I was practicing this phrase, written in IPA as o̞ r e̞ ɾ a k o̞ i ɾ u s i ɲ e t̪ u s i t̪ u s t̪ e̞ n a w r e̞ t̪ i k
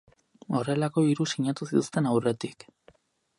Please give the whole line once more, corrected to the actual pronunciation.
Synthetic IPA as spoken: o̞ r e̞ l a k o̞ i ɾ u s i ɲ a t̪ u s i t̪ u s t̪ e̞ n a w r e̞ t̪ i k